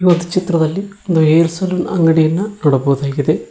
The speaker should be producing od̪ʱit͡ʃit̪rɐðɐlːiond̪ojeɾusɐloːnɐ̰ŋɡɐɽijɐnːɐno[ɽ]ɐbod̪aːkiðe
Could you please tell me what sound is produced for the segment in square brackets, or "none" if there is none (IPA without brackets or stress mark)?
ɽ